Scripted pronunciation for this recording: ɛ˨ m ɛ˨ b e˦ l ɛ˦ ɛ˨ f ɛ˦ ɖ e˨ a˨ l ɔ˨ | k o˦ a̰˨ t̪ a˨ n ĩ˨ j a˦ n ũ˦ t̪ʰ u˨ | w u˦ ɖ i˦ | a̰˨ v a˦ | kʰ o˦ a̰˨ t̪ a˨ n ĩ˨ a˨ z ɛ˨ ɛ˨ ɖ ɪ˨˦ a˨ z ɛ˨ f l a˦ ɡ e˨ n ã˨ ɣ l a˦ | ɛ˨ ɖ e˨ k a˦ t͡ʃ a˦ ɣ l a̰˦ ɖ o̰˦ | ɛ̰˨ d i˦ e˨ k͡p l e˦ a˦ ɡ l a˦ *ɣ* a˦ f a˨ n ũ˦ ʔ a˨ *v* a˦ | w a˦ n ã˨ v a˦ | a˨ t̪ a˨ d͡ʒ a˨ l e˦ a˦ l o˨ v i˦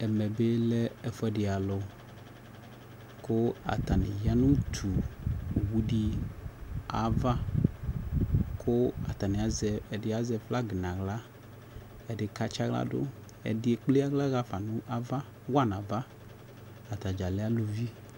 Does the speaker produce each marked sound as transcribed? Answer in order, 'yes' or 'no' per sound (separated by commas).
yes, yes